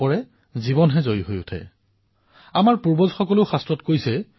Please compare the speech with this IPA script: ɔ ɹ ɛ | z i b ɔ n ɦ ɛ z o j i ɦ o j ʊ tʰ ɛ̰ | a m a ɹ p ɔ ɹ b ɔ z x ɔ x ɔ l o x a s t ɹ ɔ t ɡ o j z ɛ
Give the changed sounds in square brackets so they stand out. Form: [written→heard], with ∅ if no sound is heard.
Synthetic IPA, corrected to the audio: ɔ ɹ ɛ | z i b ɔ n ɦ ɛ z o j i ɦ o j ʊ tʰ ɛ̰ | a m a ɹ p [ɔ→u] ɹ b ɔ z x ɔ [x→k] ɔ l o x a s t ɹ ɔ t [ɡ→k] o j [z→s] ɛ